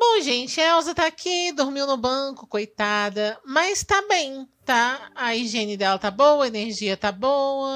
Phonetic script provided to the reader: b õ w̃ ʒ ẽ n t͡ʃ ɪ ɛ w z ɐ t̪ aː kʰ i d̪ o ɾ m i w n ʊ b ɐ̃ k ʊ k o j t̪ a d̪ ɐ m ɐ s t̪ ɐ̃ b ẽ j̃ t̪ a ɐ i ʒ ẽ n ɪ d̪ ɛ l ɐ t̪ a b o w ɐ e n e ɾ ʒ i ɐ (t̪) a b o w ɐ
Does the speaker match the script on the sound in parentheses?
yes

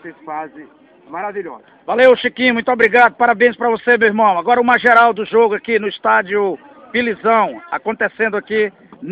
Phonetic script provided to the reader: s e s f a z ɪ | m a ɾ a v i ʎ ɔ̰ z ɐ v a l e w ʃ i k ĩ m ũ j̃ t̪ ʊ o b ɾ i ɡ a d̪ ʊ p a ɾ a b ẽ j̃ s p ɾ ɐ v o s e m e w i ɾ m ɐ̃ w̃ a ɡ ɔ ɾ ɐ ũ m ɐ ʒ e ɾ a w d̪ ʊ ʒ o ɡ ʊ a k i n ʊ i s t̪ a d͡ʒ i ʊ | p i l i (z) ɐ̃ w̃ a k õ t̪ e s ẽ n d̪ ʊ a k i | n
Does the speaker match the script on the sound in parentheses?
yes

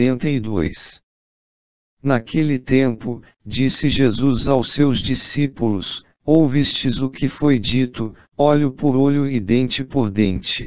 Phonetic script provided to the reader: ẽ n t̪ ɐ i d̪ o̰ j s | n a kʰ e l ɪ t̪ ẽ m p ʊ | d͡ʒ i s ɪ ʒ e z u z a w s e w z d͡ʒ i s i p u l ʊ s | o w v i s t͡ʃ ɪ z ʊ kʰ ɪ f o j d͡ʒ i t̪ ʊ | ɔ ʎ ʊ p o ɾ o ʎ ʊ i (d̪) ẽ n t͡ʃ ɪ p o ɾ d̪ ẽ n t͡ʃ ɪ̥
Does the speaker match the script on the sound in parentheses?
yes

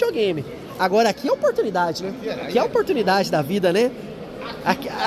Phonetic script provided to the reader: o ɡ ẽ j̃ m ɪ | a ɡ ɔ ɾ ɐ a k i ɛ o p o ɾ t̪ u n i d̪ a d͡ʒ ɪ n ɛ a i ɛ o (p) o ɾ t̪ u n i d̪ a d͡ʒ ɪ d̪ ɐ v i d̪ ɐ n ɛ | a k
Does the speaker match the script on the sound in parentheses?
yes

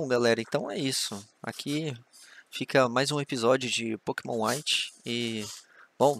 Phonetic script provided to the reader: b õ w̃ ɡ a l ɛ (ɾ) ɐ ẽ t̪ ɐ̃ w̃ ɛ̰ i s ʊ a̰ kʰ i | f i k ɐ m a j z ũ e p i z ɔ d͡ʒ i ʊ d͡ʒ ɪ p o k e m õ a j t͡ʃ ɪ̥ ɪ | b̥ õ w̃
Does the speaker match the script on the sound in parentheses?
yes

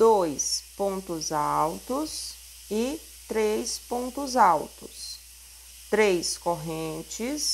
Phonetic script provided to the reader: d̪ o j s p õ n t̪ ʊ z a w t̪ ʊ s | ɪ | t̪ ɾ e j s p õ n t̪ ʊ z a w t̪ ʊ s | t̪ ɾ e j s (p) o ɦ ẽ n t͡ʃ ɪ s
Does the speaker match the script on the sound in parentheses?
no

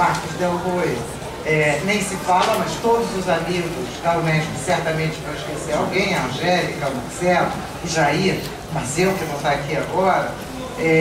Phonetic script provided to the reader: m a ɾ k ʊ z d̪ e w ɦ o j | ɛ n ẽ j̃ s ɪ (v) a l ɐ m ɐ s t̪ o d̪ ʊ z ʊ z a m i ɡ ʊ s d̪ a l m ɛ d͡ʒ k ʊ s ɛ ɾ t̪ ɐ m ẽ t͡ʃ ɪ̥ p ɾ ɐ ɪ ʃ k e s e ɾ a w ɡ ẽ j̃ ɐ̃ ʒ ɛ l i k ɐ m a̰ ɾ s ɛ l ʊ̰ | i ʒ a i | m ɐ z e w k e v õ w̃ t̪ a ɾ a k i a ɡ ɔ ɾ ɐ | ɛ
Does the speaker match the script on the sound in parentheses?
no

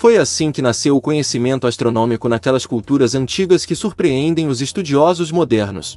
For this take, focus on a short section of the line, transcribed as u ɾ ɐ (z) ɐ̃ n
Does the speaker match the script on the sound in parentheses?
yes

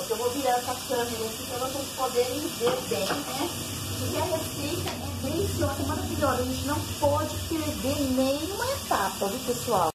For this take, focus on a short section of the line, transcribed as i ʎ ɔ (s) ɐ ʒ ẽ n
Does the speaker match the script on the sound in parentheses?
no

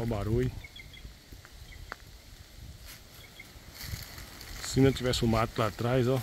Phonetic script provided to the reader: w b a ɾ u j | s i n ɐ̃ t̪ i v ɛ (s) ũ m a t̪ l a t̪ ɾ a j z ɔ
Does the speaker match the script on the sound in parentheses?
yes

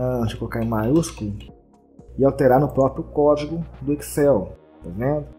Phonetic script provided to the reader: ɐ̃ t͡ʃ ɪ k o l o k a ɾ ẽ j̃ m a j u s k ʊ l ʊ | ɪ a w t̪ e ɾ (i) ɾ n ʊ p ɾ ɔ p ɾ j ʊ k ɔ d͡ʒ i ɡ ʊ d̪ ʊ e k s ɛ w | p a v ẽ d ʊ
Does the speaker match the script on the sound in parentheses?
no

